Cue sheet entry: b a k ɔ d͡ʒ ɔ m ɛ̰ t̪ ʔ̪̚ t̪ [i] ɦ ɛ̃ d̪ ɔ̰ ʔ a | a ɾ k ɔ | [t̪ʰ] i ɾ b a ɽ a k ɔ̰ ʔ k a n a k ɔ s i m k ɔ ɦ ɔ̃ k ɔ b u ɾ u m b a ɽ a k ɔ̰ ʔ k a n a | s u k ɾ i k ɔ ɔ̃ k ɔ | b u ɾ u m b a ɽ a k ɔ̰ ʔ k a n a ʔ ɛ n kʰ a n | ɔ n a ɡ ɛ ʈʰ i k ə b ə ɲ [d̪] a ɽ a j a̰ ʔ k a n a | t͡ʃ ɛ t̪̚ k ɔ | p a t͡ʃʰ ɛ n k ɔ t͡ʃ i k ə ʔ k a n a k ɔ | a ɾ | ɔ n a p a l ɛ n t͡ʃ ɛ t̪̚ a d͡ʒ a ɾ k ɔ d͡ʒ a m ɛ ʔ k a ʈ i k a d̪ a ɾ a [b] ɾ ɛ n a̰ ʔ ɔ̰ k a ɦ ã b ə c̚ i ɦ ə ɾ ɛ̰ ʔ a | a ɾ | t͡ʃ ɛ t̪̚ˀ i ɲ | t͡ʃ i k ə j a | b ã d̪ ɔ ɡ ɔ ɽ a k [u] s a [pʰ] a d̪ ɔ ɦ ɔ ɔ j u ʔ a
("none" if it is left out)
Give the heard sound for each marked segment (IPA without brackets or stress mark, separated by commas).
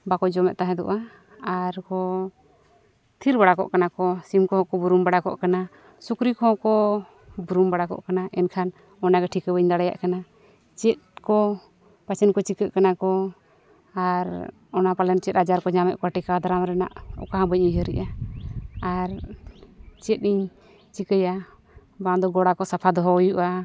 a, t̪ʰ, d̪, m, ɔ, pʰ